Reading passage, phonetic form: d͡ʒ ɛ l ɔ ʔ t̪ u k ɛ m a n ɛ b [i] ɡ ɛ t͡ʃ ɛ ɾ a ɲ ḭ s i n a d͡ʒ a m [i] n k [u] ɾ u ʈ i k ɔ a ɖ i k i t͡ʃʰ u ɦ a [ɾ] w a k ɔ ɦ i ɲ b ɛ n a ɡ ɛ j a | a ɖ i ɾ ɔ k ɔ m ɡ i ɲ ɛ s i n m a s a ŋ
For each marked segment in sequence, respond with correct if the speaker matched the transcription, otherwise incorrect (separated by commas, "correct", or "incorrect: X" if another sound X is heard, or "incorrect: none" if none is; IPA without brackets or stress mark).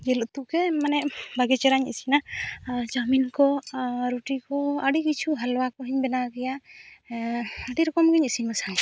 incorrect: a, correct, incorrect: ɔ, incorrect: l